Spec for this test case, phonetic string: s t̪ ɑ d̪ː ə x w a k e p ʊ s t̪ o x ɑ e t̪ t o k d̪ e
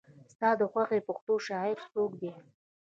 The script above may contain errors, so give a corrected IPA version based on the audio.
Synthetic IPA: s t̪ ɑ d̪ ə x w a x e p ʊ x t̪ o ʃ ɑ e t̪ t o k d̪ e